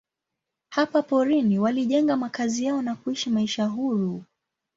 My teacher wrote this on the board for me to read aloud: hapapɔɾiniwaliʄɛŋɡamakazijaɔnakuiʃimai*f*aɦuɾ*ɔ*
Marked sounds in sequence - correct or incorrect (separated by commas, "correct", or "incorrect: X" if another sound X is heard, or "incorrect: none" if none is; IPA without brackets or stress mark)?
incorrect: ʃ, incorrect: u